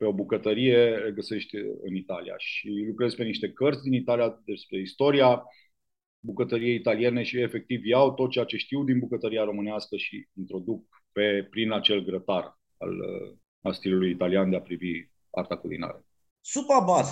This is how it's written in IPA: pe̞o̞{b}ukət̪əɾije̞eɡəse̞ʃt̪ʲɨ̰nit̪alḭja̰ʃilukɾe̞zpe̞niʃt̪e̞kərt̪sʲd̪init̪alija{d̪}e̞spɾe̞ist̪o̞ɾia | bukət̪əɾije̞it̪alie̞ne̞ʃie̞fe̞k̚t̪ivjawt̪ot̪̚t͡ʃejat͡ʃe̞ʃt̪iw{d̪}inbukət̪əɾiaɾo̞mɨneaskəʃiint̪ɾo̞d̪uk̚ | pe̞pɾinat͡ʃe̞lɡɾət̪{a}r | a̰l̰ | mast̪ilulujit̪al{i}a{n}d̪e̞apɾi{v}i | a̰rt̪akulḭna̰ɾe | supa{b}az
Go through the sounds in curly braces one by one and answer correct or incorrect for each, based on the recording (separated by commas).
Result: correct, correct, correct, correct, correct, correct, correct, correct